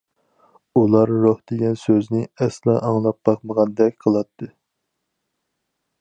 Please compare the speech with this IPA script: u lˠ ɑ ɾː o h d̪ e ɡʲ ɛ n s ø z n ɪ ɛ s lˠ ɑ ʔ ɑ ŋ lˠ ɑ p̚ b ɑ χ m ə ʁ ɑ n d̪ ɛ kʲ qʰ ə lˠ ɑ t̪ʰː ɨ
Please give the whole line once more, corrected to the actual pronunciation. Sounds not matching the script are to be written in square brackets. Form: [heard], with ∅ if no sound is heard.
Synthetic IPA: u lˠ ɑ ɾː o h d̪ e ɡʲ ɛ n s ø z n ɪ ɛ s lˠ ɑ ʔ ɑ ŋ lˠ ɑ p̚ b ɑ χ m ə ʁ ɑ n d̪ ɛ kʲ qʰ ə lˠ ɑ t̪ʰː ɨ